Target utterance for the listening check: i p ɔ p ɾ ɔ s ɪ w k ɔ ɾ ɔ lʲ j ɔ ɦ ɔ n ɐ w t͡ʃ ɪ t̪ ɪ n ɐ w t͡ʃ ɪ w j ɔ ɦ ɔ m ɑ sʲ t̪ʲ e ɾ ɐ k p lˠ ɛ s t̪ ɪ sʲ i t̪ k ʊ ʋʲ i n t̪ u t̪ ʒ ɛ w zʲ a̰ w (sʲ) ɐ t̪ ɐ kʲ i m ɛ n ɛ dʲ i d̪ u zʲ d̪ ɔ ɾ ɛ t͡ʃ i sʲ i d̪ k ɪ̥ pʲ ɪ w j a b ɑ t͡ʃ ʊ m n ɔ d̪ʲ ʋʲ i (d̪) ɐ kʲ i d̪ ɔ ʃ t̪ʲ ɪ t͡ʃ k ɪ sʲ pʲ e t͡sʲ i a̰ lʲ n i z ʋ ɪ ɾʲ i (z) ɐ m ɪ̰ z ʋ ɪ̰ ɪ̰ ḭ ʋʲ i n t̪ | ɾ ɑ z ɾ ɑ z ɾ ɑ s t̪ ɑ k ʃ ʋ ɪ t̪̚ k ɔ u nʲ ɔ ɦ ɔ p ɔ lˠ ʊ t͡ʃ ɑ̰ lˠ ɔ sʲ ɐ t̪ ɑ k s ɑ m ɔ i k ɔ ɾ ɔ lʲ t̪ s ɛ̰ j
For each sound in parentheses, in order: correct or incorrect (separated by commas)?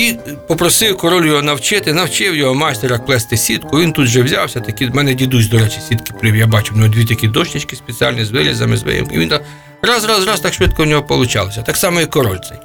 correct, incorrect, correct